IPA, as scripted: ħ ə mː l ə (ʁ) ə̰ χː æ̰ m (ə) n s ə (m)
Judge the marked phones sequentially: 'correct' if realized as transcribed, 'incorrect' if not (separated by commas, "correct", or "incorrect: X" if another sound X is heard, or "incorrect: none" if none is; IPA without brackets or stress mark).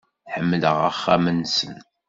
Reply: correct, correct, incorrect: n